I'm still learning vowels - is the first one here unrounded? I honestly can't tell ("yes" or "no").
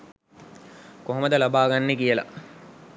no